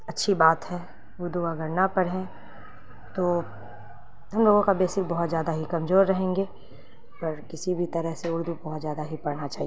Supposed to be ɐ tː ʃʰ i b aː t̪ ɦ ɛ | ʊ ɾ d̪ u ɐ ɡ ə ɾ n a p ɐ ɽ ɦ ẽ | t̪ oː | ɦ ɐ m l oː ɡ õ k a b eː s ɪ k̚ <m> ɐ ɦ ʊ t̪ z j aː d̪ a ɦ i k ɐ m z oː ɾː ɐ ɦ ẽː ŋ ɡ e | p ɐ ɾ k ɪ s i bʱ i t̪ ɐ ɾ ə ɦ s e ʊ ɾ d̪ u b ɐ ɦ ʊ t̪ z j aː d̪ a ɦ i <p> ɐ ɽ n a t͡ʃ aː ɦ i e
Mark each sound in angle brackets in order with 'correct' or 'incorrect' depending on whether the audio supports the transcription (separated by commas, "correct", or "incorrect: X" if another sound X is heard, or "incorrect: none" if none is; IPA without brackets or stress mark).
incorrect: b, correct